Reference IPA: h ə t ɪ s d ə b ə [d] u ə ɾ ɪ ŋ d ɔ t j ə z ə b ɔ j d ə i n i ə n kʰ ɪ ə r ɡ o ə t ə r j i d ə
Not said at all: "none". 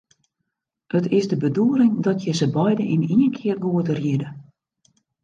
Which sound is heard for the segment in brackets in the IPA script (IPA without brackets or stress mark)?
d